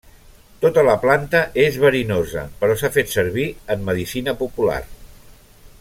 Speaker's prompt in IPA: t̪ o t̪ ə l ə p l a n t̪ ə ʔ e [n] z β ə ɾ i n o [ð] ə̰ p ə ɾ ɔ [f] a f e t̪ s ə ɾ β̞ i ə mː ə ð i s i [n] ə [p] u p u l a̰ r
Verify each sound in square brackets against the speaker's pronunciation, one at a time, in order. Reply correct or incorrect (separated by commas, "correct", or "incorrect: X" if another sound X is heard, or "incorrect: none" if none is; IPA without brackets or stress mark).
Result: incorrect: none, incorrect: z, incorrect: s, correct, correct